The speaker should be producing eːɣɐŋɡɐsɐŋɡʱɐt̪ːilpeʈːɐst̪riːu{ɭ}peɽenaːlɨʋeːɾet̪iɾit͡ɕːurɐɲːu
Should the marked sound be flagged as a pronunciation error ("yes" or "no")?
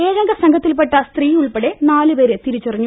no